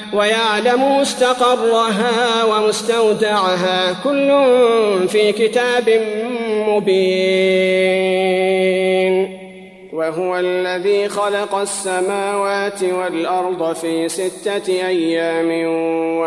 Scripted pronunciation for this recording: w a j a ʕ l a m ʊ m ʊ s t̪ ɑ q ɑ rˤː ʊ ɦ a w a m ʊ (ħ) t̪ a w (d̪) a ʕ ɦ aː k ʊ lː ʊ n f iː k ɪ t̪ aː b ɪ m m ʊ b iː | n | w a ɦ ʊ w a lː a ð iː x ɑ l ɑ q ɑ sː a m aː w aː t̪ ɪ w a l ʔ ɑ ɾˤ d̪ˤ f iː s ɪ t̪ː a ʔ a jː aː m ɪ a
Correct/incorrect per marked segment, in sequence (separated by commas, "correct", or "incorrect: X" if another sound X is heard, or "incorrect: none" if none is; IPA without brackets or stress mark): incorrect: s, correct